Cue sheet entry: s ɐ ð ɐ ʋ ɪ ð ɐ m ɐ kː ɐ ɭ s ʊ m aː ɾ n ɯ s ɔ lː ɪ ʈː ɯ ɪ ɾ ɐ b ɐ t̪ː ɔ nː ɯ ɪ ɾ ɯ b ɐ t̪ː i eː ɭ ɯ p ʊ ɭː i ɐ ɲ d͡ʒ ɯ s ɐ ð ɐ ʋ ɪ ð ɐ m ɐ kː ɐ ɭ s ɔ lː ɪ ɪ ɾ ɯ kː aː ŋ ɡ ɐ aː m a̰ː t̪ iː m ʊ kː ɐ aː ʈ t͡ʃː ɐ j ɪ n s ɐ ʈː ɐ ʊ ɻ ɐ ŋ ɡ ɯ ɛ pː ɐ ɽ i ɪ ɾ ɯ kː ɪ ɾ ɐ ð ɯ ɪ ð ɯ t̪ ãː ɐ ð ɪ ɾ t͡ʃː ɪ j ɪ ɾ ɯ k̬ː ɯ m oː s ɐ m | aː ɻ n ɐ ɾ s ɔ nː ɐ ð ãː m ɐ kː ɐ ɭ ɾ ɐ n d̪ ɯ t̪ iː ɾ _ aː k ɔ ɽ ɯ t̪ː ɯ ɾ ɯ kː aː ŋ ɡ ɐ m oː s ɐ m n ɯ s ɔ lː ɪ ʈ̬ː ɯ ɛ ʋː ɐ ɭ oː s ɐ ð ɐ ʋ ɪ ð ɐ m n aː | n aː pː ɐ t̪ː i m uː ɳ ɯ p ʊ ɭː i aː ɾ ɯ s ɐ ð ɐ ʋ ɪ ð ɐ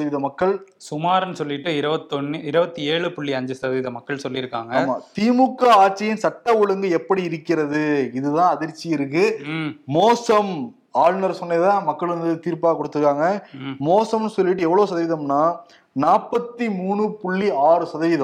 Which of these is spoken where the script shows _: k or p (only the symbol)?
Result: p